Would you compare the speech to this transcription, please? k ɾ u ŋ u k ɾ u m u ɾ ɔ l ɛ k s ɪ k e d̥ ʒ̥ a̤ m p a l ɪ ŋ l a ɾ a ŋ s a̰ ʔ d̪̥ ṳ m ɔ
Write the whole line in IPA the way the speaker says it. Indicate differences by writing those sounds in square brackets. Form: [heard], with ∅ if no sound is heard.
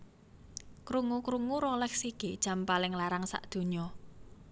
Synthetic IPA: k ɾ u ŋ u k ɾ u [ŋ] u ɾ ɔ l ɛ k s [i] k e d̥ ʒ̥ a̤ m p a l ɪ ŋ l a ɾ a ŋ s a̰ ʔ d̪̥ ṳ [ɲ] ɔ